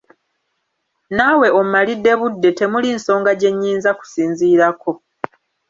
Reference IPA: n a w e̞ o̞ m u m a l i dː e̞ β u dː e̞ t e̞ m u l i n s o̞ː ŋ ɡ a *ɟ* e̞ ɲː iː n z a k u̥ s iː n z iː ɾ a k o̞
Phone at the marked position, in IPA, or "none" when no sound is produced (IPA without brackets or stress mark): ɟ